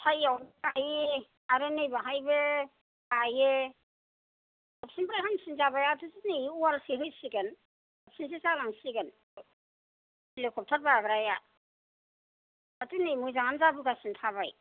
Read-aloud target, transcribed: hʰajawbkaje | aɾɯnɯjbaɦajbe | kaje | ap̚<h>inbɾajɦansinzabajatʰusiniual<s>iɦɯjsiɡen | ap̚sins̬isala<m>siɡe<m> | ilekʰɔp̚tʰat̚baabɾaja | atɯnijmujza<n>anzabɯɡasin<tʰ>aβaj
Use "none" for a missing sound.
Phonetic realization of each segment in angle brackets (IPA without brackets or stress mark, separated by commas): s, s, ŋ, n, ŋ, tʰ